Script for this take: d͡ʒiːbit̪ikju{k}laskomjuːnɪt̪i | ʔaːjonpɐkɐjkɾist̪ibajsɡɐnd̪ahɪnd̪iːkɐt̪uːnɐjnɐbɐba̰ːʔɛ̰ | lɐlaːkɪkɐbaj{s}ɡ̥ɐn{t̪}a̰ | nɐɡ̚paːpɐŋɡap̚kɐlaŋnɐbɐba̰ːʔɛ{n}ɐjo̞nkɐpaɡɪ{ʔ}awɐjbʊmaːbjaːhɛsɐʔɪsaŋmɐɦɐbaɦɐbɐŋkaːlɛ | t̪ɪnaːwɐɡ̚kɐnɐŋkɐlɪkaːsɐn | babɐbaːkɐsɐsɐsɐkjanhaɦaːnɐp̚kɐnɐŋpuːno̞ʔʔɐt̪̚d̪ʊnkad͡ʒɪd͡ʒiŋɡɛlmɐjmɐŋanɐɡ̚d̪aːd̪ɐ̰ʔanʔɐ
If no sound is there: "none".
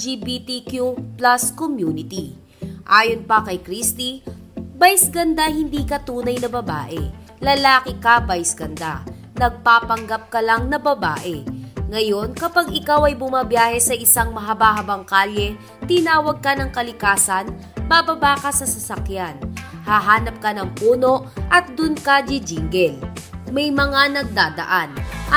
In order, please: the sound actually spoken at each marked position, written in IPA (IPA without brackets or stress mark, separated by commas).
p, s, d̪, ŋ, k